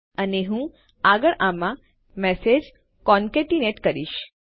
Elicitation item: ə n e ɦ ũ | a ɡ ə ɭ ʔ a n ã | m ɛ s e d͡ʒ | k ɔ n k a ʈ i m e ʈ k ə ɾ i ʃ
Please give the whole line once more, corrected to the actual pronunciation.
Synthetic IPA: ə n e ɦ ũ | a ɡ ə ɭ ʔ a m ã | m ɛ s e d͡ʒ | k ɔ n k e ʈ i n e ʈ k ə ɾ i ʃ